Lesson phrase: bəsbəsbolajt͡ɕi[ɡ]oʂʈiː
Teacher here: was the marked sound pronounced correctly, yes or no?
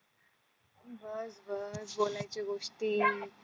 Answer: yes